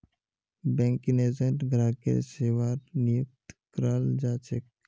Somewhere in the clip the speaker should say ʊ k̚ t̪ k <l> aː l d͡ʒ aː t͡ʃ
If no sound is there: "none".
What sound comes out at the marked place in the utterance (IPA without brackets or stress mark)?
ɾ